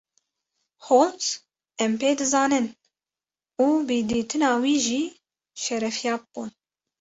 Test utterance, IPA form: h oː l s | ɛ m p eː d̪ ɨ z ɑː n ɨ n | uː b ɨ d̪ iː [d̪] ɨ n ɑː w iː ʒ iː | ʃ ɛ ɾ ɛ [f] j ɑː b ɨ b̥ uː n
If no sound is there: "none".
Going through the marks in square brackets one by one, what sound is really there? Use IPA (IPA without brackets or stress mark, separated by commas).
t̪, f